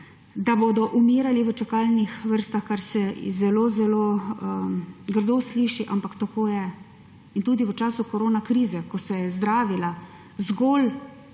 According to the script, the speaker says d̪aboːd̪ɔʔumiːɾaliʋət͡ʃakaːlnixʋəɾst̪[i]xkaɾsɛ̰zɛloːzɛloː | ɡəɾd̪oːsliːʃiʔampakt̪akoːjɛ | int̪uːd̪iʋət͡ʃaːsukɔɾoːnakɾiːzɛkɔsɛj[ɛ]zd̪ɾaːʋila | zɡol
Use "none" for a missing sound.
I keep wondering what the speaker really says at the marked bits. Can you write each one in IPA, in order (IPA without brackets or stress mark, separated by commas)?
a, ɛ